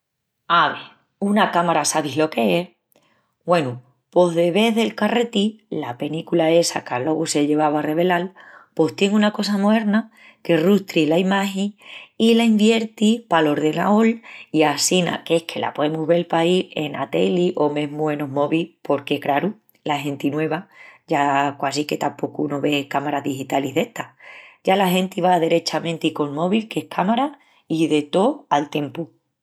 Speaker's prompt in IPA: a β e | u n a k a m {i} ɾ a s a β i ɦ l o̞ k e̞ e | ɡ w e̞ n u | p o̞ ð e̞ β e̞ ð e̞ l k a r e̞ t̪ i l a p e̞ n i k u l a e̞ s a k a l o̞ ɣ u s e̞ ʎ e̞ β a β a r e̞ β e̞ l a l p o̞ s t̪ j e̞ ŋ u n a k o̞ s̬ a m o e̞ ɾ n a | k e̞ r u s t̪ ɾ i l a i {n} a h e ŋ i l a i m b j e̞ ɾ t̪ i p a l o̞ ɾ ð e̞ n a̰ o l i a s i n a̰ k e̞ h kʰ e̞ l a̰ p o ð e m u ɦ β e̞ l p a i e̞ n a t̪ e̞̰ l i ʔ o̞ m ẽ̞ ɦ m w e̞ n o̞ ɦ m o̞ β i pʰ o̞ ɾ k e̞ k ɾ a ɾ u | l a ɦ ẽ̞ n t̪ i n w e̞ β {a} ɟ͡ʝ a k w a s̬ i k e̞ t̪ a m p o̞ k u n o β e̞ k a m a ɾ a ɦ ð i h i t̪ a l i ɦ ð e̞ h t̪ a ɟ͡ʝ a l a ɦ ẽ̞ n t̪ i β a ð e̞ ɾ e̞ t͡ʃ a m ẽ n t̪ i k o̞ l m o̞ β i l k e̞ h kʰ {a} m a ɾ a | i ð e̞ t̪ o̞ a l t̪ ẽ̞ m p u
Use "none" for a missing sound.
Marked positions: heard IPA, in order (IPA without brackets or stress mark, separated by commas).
a, m, a, a